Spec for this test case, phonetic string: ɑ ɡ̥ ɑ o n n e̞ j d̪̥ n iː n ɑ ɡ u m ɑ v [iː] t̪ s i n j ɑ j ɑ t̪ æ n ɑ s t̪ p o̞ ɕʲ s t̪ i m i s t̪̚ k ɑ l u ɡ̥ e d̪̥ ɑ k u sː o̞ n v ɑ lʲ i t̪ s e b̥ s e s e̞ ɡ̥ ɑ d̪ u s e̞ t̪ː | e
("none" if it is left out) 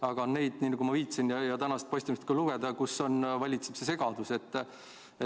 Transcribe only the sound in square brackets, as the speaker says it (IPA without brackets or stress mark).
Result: iː